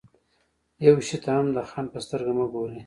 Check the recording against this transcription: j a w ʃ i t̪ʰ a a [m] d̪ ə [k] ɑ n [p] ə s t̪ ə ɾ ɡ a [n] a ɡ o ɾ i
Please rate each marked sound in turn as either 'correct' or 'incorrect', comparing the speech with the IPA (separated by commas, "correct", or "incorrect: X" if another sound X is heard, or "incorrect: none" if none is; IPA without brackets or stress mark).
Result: correct, incorrect: x, correct, incorrect: m